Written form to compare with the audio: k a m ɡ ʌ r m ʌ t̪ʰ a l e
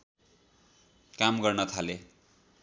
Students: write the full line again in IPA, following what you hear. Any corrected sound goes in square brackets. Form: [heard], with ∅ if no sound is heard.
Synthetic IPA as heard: k a m ɡ ʌ r [n] ʌ t̪ʰ a l e